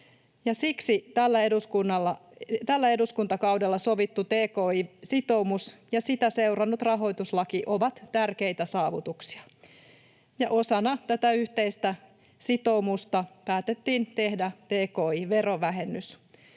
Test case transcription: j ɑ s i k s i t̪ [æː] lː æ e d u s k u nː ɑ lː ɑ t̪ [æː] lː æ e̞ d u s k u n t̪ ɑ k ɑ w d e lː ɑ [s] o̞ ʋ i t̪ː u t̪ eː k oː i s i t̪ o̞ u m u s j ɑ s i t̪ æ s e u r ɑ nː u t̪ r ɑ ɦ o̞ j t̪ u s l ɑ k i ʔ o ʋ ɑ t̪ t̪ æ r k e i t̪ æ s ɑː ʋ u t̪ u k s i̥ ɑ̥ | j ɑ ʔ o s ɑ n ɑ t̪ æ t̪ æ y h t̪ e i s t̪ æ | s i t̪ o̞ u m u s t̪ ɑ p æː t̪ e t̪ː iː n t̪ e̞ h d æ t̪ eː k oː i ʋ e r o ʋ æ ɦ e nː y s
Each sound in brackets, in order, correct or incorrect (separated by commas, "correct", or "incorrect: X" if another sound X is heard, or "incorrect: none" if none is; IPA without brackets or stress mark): incorrect: æ, incorrect: æ, correct